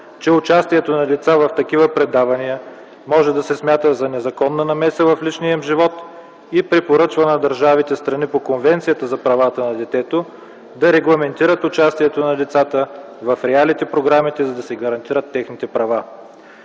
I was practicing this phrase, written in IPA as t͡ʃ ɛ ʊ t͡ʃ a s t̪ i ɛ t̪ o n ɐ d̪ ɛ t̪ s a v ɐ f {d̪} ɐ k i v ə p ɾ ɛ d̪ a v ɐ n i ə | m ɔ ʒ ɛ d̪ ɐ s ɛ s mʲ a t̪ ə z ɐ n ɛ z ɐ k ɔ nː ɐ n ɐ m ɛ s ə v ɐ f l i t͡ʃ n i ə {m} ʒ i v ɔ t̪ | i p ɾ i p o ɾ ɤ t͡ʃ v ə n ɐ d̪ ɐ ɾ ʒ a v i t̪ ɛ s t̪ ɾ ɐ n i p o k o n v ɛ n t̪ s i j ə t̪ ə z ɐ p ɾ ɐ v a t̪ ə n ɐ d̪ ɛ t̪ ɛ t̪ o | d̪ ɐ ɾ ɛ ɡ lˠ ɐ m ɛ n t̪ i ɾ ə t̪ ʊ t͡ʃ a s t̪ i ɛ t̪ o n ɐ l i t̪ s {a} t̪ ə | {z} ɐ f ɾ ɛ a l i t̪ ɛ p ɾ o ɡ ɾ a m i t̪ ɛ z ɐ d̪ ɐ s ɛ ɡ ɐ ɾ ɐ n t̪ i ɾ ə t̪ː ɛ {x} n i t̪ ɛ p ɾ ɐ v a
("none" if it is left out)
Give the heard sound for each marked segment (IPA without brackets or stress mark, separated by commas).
t̪, m, a, v, x